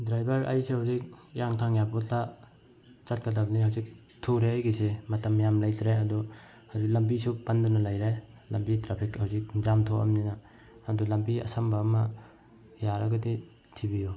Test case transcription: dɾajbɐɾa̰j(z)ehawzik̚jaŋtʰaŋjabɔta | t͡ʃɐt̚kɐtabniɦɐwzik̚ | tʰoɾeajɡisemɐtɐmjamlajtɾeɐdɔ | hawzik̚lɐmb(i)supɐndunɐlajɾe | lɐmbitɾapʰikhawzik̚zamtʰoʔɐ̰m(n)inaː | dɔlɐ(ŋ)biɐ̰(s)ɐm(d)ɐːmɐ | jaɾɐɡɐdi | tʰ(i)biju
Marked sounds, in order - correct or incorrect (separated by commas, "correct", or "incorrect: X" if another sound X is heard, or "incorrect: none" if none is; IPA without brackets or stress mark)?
incorrect: s, correct, correct, incorrect: m, correct, incorrect: b, correct